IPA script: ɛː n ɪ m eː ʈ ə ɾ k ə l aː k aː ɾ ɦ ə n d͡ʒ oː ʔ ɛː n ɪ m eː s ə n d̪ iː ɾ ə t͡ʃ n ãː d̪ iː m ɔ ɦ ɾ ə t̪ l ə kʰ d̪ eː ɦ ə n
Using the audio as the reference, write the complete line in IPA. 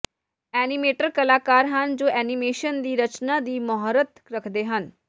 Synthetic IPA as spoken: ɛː n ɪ m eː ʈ ə ɾ k ə l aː k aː ɾ ɦ ə n d͡ʒ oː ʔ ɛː n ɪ m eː ʃ ə n d̪ iː ɾ ə t͡ʃ n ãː d̪ iː m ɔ ɦ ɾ ə t̪ ɾ ə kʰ d̪ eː ɦ ə n